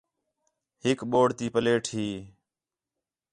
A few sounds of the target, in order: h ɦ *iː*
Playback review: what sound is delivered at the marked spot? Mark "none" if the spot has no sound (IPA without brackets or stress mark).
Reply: iː